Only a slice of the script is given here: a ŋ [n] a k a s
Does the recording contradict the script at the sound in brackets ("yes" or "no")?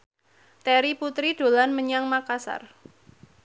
yes